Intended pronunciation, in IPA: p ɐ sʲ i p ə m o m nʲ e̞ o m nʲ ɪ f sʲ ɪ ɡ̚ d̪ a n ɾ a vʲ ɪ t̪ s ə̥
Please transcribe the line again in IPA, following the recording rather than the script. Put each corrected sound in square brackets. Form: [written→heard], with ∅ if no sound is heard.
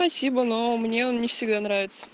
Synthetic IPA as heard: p ɐ sʲ i [p→b] ə [m→n] o m nʲ e̞ o [m→n] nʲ ɪ f sʲ ɪ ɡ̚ d̪ a n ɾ a vʲ ɪ t̪ s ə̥